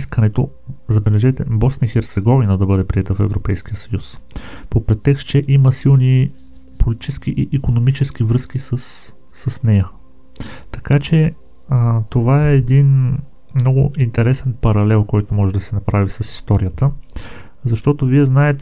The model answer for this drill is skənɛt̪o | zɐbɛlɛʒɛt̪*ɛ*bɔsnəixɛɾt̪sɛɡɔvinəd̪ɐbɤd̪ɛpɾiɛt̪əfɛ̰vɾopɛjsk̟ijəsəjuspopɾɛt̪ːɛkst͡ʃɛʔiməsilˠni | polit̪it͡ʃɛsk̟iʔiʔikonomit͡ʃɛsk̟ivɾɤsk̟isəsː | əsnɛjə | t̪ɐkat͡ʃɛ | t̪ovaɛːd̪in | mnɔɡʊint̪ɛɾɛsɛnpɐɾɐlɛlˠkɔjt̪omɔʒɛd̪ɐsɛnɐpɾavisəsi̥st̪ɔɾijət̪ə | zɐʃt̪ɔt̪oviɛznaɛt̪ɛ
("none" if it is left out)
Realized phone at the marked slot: ɛ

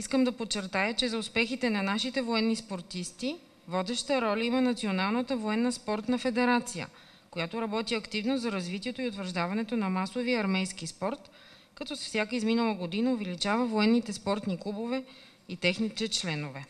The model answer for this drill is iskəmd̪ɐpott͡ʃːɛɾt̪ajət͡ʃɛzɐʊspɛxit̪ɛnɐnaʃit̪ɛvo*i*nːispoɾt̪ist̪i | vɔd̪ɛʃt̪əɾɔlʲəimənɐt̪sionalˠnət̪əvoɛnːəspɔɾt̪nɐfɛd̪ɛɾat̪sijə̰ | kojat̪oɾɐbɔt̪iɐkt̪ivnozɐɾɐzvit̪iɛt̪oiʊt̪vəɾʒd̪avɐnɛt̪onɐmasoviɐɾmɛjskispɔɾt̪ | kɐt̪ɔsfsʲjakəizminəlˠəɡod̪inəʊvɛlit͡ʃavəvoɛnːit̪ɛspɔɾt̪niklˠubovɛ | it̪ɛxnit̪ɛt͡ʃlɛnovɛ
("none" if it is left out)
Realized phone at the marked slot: ɛ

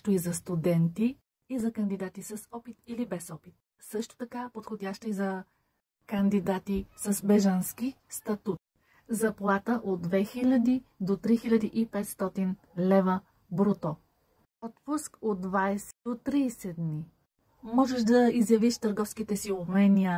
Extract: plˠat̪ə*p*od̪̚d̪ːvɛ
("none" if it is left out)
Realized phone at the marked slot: ʔ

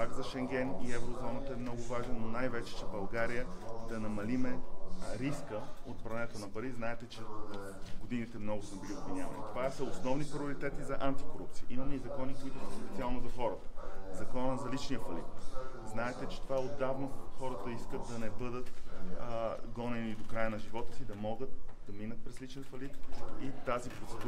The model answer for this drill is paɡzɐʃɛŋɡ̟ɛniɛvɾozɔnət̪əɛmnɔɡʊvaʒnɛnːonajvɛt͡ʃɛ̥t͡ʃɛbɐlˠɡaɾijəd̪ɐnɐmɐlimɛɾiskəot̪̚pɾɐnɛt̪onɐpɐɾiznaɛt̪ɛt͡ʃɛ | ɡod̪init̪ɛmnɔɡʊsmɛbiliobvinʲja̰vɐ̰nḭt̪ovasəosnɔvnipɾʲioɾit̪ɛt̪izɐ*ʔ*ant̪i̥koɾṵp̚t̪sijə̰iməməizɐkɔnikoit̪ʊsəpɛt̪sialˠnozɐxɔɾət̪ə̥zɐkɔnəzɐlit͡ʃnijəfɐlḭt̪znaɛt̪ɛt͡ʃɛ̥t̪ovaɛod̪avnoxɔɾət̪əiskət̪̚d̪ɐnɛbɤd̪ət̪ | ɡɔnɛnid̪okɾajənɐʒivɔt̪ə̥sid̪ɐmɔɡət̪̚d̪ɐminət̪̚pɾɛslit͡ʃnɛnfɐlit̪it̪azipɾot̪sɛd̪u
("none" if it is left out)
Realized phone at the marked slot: ʔ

